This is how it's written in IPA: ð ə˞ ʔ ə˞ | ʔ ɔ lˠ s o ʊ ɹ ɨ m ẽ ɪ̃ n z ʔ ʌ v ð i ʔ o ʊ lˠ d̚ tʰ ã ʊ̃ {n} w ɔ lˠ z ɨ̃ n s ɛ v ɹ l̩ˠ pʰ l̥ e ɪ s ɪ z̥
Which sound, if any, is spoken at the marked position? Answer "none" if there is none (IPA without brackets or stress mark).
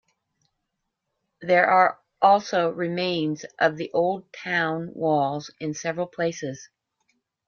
n